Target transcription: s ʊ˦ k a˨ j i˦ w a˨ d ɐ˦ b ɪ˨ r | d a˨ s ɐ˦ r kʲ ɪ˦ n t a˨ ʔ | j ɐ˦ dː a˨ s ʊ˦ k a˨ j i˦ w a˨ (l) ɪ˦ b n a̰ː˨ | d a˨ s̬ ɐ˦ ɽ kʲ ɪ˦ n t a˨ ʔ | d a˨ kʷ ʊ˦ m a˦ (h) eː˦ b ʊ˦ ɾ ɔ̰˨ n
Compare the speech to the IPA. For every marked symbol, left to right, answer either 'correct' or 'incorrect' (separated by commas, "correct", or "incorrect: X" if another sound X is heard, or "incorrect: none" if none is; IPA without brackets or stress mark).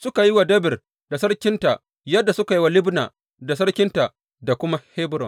correct, correct